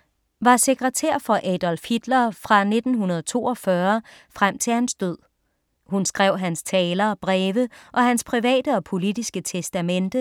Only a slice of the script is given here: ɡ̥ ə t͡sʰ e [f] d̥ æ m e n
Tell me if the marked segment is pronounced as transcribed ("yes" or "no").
no